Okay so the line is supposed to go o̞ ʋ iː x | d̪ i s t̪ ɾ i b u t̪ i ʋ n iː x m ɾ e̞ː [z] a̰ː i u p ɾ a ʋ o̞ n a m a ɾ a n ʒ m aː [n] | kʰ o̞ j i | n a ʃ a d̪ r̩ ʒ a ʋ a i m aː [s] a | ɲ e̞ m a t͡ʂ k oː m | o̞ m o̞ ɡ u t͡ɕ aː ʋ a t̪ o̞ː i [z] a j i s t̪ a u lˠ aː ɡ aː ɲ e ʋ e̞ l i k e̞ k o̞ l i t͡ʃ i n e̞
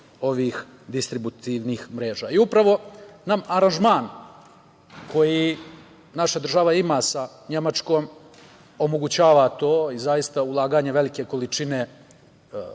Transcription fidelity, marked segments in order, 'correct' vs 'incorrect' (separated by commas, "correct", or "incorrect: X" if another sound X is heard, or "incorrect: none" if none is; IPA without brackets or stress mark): incorrect: ʒ, correct, correct, correct